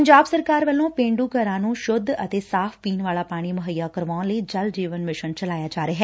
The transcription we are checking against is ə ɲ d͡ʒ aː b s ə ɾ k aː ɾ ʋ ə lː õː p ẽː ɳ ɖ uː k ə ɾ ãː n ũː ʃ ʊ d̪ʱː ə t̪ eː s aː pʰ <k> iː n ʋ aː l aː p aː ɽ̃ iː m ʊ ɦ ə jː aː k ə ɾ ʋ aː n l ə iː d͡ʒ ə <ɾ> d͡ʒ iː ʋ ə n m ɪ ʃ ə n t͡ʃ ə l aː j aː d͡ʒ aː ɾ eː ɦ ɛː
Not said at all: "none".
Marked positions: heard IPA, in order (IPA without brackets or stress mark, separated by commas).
p, l